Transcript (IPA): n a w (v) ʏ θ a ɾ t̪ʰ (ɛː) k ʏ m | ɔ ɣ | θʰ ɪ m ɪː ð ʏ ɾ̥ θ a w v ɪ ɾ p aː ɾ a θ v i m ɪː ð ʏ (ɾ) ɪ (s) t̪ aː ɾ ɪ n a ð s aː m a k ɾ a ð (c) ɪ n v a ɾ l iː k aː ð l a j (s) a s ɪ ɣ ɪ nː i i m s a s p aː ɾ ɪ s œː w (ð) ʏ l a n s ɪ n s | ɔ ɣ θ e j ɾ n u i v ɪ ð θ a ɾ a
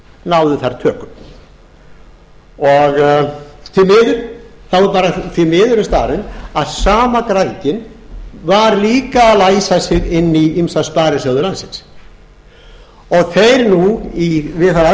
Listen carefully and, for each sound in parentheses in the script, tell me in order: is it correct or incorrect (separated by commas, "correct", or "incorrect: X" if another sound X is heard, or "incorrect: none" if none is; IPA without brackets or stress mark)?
incorrect: ð, incorrect: œː, correct, correct, correct, correct, correct